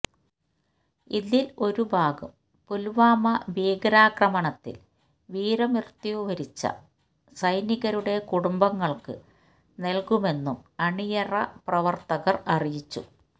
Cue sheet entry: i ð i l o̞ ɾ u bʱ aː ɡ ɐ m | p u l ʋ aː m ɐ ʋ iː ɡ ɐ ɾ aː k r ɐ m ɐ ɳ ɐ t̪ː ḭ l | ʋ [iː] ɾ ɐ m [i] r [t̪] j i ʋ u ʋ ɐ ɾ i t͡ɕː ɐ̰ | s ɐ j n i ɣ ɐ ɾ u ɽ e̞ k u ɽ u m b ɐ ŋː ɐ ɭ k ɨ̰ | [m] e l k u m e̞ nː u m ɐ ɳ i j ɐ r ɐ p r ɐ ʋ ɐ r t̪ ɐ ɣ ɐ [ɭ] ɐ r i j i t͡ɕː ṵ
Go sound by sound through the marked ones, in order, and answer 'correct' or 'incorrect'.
correct, correct, correct, incorrect: n, incorrect: r

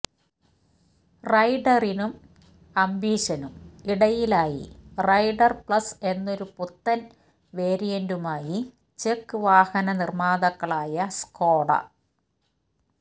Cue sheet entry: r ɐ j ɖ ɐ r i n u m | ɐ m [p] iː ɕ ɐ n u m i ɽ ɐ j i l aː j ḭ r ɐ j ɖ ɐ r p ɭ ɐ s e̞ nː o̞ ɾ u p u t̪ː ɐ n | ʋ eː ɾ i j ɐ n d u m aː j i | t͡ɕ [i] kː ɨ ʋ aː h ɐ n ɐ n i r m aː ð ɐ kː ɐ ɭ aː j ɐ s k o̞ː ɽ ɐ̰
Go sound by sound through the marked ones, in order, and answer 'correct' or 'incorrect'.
incorrect: b, incorrect: e

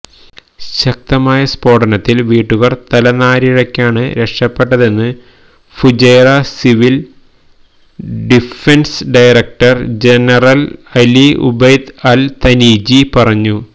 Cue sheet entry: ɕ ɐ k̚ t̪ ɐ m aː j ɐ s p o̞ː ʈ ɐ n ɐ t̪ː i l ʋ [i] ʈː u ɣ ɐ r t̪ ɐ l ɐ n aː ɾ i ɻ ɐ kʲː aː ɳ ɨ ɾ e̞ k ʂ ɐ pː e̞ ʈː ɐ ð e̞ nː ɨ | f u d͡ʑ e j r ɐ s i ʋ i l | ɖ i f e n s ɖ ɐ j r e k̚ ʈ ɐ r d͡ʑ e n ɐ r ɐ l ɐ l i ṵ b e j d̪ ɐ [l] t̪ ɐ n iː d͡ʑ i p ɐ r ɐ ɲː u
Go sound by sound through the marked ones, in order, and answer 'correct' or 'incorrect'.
incorrect: iː, correct

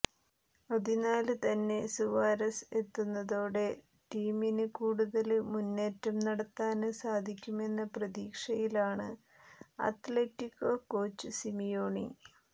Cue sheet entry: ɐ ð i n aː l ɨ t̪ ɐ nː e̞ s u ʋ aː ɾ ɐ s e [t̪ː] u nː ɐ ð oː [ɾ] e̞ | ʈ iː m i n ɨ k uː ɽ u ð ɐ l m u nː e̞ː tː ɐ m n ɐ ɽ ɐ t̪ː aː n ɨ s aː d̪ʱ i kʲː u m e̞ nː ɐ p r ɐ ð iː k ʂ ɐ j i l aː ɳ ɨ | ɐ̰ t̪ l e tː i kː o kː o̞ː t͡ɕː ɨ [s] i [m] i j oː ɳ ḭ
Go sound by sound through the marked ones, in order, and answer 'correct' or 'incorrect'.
correct, incorrect: ɽ, correct, correct

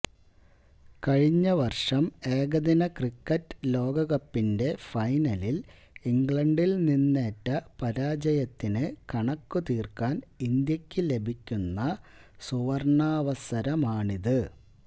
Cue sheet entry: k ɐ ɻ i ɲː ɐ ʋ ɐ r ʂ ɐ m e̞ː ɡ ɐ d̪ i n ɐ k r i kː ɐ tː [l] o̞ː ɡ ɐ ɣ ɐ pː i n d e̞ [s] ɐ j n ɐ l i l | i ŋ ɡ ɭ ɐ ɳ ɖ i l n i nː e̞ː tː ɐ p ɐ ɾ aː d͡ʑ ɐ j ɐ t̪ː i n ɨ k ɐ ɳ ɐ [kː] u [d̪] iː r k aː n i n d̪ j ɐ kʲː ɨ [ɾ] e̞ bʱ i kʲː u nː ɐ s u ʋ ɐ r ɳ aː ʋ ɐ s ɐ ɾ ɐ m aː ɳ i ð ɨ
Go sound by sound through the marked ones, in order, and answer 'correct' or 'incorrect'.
correct, incorrect: f, correct, incorrect: t̪, incorrect: l

